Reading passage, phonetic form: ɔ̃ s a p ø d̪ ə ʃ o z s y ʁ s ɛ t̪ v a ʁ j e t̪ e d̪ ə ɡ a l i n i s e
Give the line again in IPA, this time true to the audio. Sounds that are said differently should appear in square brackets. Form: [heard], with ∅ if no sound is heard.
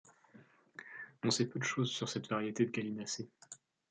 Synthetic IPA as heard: ɔ̃ s [ɛ] p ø d̪ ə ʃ o z s y ʁ s ɛ t̪ v a ʁ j e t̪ e d̪ ə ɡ a l i n [a] s e